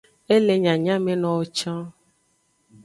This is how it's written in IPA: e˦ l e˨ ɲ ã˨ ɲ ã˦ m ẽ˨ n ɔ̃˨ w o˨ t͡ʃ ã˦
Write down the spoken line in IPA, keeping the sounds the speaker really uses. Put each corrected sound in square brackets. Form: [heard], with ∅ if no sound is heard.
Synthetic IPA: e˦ l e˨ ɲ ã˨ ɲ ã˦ m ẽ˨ n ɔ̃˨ w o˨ t͡ʃ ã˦